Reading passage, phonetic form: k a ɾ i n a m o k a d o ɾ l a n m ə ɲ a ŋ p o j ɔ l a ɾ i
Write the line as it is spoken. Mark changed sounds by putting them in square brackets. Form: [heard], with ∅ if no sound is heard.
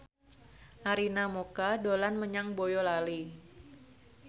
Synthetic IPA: [ʔ] a ɾ i n a m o k a d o [∅] l a n m ə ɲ a ŋ [b] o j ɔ l a [l] i